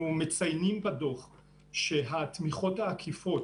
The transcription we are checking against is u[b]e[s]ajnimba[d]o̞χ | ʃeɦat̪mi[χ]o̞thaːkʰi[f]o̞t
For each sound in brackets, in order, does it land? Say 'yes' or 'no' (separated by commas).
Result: no, no, yes, yes, yes